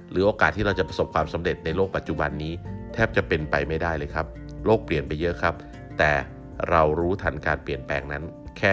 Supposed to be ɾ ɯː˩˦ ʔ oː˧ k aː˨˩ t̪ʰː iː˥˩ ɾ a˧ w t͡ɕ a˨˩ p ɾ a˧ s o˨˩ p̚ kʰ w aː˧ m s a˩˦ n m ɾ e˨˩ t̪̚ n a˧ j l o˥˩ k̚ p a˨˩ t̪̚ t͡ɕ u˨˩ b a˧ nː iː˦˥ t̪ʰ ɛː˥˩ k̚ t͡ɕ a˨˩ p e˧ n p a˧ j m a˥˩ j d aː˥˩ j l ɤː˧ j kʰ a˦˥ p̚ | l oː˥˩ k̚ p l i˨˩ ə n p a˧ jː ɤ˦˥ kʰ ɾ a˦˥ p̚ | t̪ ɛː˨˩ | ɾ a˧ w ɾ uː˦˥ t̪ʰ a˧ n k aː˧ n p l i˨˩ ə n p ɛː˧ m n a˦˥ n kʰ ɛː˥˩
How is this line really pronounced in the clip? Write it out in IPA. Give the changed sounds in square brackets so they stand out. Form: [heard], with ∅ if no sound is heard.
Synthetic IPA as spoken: ɾ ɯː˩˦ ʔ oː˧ k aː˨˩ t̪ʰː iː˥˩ ɾ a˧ w t͡ɕ a˨˩ p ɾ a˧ s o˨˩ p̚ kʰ w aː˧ m s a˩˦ [∅] m ɾ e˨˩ t̪̚ n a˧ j l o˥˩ k̚ p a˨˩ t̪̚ t͡ɕ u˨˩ b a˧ nː iː˦˥ t̪ʰ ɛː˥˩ [p̚] t͡ɕ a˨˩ p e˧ n p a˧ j m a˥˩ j d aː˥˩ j l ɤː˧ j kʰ a˦˥ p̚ | l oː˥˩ k̚ p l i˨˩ ə n p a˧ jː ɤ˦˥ kʰ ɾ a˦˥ p̚ | t̪ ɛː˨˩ | ɾ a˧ w ɾ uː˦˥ t̪ʰ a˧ n k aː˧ n p l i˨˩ ə n p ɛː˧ [ŋ] n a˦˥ n kʰ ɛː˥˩